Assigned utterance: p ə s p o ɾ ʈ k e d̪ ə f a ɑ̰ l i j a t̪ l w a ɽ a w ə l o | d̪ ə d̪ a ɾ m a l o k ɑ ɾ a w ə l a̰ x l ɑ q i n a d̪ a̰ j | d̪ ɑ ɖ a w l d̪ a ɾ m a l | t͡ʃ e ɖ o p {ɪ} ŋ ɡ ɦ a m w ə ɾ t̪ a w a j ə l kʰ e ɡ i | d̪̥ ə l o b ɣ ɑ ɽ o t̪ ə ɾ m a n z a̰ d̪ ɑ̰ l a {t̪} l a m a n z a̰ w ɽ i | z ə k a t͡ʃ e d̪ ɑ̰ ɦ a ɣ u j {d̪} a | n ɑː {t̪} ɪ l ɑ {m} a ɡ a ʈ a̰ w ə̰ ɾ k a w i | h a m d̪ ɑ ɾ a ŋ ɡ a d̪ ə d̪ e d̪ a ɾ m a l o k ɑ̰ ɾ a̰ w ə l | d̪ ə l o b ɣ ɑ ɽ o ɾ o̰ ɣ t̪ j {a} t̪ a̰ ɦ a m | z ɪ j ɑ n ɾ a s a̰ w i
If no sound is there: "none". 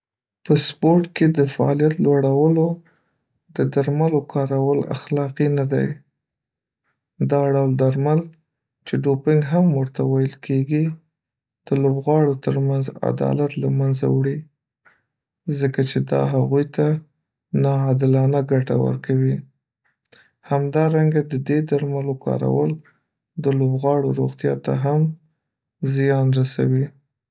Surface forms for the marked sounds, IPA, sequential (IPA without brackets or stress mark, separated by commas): ɪ, t̪, t̪, d̪, n, ɑ